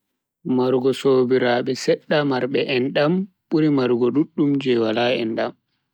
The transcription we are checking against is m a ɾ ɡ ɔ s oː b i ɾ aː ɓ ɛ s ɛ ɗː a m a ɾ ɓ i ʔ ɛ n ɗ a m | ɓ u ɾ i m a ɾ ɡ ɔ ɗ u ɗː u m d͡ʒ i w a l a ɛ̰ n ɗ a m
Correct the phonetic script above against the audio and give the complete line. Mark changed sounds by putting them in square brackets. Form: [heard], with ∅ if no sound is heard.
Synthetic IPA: m a ɾ ɡ ɔ s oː b i ɾ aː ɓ ɛ s ɛ ɗː a m a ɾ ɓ [ɛ] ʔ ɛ n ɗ a m | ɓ u ɾ i m a ɾ ɡ ɔ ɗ u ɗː u m d͡ʒ [ɛ] w a l a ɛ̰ n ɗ a m

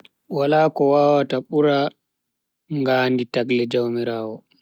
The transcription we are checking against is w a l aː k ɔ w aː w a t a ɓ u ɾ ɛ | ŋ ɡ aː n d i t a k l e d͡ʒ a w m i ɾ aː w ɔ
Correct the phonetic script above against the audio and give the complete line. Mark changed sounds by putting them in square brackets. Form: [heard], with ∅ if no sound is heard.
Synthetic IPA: w a l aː k ɔ w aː w a t a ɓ u ɾ [a] | ŋ ɡ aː n d i t a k l [ɛ] d͡ʒ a w m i ɾ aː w ɔ

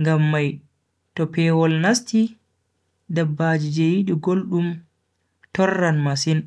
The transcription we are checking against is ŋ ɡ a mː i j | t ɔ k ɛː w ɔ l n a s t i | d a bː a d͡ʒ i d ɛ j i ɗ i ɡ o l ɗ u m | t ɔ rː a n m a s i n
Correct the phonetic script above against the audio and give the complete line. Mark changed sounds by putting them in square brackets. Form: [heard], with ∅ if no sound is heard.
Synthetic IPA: ŋ ɡ a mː [a] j | t ɔ [p] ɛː w ɔ l n a s t i | d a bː a d͡ʒ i [d͡ʒ] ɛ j i ɗ i ɡ o l ɗ u m | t ɔ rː a n m a s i n

